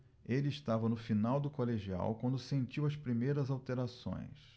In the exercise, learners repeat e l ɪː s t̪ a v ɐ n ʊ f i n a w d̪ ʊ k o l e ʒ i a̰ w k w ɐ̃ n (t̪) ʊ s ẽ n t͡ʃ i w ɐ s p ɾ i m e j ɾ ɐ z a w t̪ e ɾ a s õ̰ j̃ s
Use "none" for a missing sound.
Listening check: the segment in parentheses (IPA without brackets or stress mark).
d̪